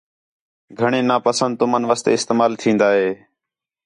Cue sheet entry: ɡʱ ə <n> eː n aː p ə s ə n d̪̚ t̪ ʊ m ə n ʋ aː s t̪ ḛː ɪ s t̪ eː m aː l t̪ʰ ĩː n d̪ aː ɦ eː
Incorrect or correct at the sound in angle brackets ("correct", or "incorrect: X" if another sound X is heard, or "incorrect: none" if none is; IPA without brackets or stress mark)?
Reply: incorrect: ɳ